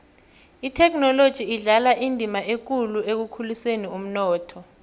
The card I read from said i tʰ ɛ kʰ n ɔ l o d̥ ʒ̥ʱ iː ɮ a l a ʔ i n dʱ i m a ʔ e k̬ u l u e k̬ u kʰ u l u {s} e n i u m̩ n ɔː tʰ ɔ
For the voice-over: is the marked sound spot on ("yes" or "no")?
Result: yes